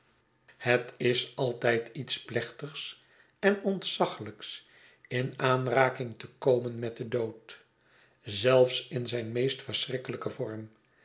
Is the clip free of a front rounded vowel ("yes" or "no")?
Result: yes